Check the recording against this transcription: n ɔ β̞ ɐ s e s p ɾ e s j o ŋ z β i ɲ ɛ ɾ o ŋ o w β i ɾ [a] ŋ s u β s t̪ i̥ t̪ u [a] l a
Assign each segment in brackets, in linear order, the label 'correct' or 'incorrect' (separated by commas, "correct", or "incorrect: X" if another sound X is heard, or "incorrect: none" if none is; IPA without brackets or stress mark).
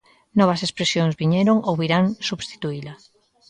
correct, incorrect: i